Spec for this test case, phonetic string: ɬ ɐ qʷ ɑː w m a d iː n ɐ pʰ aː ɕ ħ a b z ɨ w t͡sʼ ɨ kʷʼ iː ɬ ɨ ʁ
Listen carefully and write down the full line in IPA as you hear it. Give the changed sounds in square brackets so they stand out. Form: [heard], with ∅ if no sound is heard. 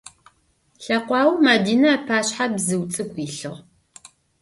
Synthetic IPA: ɬ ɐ qʷ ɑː w m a d iː n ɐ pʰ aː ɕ ħ a b z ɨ w t͡sʼ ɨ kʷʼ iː ɬ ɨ ʁ